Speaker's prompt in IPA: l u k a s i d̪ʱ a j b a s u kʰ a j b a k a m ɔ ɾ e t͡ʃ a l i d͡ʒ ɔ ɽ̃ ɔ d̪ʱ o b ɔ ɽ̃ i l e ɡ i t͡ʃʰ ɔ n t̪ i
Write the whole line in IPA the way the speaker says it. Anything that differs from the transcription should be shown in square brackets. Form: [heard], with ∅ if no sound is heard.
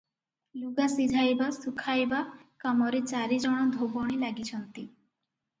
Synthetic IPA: l u [ɡ] a s i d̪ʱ a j b a s u kʰ a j b a k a m ɔ ɾ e t͡ʃ a [ɾ] i d͡ʒ ɔ ɽ̃ ɔ d̪ʱ o b ɔ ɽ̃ i l [a] ɡ i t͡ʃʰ ɔ n t̪ i